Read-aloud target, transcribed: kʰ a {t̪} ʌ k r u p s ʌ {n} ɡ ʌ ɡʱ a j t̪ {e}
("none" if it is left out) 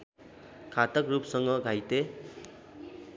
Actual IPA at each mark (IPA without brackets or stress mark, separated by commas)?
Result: t̪, ŋ, e